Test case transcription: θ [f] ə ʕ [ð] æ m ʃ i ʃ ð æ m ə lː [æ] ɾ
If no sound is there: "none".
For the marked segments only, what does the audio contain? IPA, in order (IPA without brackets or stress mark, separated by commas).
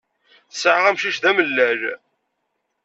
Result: s, ʁ, æ